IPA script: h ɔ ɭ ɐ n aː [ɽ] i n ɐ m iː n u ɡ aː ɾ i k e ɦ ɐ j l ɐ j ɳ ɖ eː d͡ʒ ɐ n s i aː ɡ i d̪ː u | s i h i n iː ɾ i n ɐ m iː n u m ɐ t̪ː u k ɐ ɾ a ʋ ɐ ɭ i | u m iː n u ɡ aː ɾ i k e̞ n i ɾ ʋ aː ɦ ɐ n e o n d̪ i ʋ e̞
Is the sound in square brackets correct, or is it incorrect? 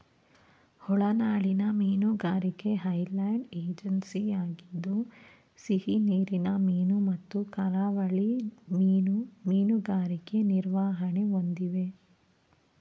incorrect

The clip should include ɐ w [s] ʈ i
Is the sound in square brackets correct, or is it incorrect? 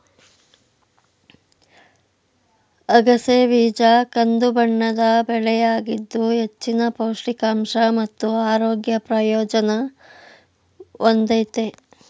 incorrect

